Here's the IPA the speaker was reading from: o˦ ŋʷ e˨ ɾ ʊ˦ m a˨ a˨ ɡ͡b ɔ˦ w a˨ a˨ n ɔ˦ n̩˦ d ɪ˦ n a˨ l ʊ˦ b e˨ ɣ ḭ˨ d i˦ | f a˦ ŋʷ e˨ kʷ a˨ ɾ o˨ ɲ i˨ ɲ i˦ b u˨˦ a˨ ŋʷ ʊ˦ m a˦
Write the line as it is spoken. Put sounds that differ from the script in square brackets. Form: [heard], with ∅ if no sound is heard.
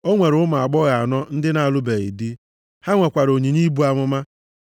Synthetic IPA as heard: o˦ ŋʷ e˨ ɾ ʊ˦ m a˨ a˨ ɡ͡b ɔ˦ [ɣ] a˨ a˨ n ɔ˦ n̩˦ d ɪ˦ n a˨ l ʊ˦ b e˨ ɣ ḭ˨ d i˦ | [h] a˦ ŋʷ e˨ kʷ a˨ ɾ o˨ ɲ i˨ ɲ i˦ b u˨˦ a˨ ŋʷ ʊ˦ m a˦